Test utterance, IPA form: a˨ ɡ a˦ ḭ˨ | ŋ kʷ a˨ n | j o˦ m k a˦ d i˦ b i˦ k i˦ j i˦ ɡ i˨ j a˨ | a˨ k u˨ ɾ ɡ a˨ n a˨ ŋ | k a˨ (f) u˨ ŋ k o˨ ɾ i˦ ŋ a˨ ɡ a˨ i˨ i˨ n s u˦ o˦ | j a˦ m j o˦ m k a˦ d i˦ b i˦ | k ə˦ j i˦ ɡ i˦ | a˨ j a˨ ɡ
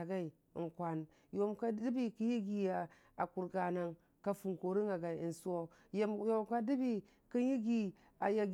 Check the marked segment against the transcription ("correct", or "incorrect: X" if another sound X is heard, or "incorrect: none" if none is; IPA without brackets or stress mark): correct